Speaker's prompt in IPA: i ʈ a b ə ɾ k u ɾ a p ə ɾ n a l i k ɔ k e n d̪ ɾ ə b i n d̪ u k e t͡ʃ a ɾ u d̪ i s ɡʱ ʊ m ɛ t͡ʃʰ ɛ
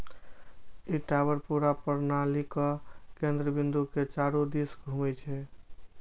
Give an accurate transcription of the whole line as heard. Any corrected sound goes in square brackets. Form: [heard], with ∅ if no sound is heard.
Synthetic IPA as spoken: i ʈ a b ə ɾ [p] u ɾ a p ə ɾ n a l i k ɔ k e n d̪ ɾ ə b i n d̪ u k e t͡ʃ a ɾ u d̪ i s ɡʱ [u] m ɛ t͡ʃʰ ɛ

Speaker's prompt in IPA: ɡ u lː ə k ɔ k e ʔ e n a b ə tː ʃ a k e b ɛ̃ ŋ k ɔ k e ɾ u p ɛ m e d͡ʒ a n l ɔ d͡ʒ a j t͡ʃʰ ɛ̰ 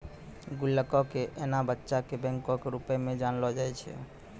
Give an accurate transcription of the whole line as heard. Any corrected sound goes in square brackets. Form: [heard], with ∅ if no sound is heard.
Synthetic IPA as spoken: ɡ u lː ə k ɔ k e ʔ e n a b ə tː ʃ a k e b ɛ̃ ŋ k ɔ k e ɾ u p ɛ m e d͡ʒ a n l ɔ d͡ʒ a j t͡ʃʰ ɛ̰

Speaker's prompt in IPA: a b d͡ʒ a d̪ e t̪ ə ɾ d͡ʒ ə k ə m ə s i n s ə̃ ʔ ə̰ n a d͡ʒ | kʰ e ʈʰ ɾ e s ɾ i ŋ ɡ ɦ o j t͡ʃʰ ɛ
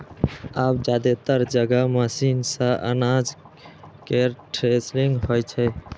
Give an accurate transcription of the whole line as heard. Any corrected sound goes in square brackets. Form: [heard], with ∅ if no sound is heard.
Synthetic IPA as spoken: a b d͡ʒ a d̪ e t̪ ə ɾ d͡ʒ ə [ɡ] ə m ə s i n s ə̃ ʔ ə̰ n a d͡ʒ | [k] e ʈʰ ɾ e s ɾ i ŋ ɡ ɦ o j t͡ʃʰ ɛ

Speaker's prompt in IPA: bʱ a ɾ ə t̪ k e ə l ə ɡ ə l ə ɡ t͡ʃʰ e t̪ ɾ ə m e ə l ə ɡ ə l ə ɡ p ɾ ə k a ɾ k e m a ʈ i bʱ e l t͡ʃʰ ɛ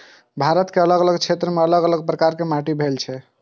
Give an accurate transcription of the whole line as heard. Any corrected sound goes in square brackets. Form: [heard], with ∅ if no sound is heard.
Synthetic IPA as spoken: bʱ a ɾ ə t̪ k e ə l ə ɡ ə l ə ɡ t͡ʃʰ e t̪ ɾ ə m e ə l ə ɡ ə l ə ɡ p ɾ ə k a ɾ k e m a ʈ i bʱ e l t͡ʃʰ ɛ

